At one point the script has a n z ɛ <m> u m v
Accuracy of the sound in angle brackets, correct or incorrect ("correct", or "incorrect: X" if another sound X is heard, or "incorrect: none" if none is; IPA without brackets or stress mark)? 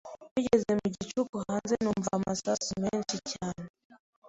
incorrect: n